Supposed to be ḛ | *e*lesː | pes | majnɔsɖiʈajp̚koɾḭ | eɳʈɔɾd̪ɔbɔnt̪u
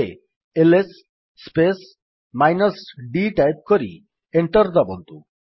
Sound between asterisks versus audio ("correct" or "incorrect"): correct